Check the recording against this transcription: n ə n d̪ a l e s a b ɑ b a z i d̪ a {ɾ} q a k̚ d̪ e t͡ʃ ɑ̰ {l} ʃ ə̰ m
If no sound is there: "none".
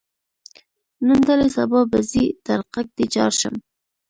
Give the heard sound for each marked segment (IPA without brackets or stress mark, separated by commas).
ɾ, ɾ